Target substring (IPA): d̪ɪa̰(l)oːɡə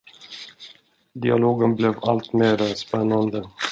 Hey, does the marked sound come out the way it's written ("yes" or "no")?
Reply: yes